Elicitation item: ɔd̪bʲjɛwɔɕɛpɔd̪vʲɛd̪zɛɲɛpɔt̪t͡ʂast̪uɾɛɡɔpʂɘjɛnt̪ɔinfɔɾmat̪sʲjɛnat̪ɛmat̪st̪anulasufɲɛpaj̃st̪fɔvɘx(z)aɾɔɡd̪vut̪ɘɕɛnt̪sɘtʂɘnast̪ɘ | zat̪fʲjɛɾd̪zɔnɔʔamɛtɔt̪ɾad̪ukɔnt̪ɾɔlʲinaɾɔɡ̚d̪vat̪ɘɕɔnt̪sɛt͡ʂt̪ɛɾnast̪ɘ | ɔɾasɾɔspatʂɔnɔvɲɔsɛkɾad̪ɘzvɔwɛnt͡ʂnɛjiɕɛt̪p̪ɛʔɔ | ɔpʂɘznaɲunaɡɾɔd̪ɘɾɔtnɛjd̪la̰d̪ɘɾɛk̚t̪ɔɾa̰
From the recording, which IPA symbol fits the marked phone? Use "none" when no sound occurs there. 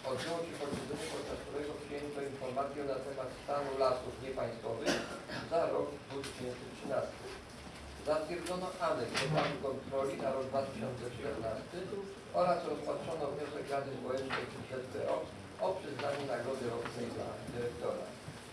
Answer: z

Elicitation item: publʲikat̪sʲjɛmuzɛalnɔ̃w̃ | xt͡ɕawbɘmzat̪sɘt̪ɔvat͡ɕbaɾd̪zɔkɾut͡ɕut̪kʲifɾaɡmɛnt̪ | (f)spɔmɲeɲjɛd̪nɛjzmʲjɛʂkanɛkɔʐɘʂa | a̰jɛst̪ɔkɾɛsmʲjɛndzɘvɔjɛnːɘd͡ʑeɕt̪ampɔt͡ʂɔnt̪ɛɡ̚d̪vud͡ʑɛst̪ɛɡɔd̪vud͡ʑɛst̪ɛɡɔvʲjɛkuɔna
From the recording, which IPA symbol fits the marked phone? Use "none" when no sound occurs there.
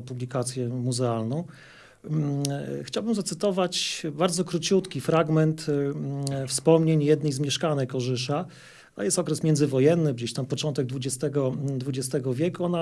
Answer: f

